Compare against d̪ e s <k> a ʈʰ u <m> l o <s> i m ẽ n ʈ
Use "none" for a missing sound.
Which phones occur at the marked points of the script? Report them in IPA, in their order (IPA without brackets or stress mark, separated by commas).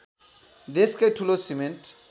k, none, s